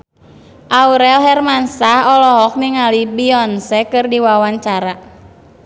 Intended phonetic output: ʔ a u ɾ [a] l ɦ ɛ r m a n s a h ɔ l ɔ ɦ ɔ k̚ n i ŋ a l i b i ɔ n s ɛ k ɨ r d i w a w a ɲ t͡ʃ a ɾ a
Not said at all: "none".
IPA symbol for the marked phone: ɛ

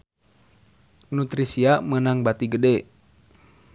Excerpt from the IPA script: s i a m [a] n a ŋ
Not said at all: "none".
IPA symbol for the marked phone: ə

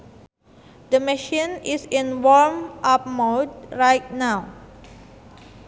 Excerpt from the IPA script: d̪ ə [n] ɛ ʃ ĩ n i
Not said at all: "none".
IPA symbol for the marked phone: m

